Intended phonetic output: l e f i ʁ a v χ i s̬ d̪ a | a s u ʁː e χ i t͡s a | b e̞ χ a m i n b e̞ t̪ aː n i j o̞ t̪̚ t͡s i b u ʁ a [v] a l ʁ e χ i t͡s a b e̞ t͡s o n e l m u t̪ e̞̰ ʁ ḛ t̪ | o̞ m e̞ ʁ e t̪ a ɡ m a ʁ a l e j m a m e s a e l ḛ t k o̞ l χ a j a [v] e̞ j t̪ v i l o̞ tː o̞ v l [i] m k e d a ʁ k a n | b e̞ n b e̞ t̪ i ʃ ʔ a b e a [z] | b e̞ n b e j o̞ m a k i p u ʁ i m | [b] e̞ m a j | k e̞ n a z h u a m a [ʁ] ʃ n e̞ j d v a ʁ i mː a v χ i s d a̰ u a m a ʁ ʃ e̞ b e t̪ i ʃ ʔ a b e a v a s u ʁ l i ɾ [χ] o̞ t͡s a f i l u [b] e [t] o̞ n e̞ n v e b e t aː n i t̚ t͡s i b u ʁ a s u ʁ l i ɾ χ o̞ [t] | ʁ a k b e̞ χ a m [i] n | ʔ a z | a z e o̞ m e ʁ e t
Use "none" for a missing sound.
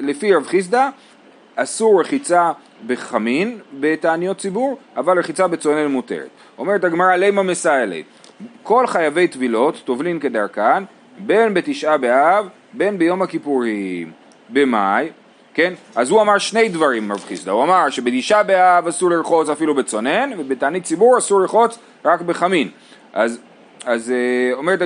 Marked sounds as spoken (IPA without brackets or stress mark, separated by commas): v, v, i, v, b, ʁ, χ, b, t͡s, t͡s, i